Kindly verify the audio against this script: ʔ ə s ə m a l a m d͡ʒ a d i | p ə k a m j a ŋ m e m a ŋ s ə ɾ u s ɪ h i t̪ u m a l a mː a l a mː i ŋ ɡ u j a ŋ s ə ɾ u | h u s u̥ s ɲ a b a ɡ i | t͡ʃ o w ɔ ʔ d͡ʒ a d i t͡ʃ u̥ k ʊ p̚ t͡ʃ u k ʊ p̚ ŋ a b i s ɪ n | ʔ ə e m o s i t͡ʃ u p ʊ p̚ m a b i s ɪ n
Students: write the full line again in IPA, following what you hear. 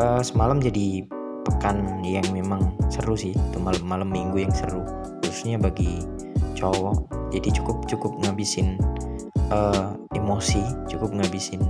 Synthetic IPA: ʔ ə s ə m a l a m d͡ʒ a d i | p ə k a n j a ŋ m e m a ŋ s ə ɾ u s ɪ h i t̪ u m a l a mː a l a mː i ŋ ɡ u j a ŋ s ə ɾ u | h u s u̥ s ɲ a b a ɡ i | t͡ʃ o w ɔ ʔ d͡ʒ a d i t͡ʃ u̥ k ʊ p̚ t͡ʃ u k ʊ p̚ ŋ a b i s ɪ n | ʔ ə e m o s i t͡ʃ u k ʊ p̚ ŋ a b i s ɪ n